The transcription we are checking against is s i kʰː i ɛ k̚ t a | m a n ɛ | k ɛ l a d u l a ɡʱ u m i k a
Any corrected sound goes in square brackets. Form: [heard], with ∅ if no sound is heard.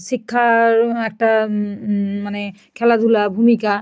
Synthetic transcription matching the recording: s i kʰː [a] ɛ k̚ t a | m a n ɛ | [kʰ] ɛ l a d u l a [bʱ] u m i k a